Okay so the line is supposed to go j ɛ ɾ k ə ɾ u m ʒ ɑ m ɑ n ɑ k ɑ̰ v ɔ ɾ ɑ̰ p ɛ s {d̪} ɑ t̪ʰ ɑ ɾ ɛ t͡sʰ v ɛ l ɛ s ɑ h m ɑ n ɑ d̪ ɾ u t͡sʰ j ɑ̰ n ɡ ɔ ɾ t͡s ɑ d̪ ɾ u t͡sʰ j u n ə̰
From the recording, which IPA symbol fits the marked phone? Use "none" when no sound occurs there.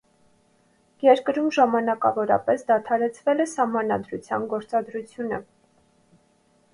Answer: d̪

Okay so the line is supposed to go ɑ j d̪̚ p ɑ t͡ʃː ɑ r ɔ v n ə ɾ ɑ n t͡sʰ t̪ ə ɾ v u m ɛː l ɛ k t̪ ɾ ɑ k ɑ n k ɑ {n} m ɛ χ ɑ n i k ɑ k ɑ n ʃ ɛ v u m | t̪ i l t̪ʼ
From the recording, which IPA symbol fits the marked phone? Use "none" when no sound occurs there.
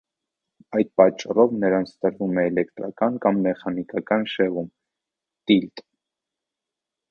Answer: m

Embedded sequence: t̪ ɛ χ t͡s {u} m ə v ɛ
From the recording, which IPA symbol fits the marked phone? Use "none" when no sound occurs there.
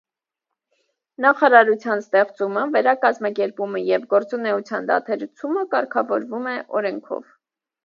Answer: u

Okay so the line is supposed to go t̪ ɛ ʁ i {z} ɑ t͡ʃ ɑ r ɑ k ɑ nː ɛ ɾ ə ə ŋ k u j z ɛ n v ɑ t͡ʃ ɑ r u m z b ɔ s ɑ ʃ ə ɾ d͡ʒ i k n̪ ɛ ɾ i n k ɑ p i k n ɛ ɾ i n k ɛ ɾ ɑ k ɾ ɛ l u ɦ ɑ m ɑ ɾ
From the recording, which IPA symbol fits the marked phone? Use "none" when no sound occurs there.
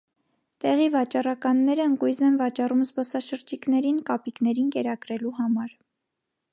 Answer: v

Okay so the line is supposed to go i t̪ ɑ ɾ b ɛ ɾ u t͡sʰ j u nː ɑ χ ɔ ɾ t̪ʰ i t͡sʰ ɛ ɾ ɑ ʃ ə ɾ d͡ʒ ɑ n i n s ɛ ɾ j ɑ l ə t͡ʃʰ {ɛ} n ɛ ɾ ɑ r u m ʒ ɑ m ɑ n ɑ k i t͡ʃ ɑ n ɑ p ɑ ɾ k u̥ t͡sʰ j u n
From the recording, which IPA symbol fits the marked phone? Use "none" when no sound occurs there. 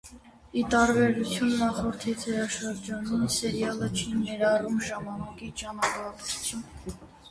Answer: i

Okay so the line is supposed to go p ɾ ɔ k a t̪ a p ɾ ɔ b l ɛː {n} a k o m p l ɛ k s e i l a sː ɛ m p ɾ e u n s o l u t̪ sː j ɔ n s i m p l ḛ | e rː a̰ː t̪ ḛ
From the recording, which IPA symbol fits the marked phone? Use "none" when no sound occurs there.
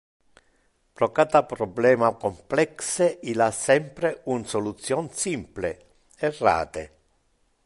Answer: m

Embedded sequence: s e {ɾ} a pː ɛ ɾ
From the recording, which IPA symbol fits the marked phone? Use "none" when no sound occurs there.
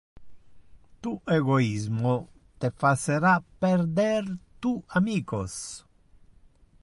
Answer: ɾ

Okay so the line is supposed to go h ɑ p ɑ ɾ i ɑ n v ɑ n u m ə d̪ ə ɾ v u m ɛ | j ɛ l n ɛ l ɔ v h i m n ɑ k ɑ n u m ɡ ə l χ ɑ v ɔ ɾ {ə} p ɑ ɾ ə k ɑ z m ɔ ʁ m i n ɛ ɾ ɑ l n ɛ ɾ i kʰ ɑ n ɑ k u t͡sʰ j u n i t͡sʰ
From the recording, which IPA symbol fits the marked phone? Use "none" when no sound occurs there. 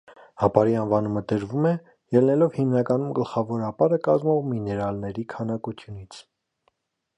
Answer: ɑ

